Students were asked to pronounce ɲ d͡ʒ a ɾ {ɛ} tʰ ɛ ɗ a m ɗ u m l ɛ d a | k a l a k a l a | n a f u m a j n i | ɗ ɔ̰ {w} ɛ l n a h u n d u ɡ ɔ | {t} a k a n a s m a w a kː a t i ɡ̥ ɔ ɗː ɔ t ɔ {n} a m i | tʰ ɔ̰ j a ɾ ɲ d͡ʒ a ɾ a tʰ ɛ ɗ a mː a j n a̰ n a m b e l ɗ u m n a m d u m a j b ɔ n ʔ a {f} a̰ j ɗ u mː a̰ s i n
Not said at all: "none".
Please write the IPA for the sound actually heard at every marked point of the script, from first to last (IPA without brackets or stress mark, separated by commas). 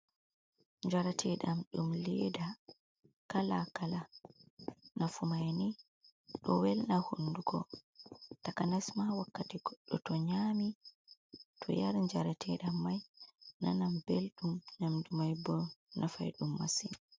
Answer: a, w, t, ɲ, f